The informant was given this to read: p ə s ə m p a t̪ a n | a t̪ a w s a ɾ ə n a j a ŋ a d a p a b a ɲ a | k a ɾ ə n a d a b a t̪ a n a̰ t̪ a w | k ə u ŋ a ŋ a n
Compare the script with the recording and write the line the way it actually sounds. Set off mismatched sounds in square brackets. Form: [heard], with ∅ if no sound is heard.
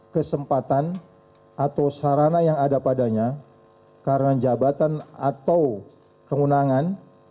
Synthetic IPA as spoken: [k] ə s ə m p a t̪ a n | a t̪ a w s a ɾ [a] n a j a ŋ a d a p a [d] a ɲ a | k a ɾ ə n a [d͡ʒ] a b a t̪ a n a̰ t̪ a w | k ə u [n] a ŋ a n